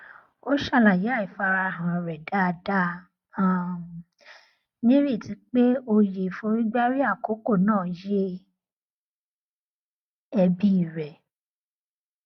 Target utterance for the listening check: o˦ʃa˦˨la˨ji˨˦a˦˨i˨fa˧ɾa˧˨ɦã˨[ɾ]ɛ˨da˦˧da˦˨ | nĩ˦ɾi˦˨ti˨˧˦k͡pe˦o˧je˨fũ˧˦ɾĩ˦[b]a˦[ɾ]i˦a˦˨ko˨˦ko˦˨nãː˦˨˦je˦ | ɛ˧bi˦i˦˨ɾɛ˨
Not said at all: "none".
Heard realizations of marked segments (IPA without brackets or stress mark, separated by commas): ɾ, ɡ͡b, ɾ